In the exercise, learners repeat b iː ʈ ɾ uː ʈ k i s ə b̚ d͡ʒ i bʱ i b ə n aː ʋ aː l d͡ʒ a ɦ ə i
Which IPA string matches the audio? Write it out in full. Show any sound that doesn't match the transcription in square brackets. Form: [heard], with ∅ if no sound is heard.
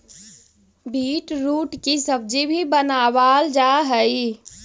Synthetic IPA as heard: b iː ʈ ɾ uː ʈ k i s ə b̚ d͡ʒ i bʱ i b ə n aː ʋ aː l d͡ʒ a ɦ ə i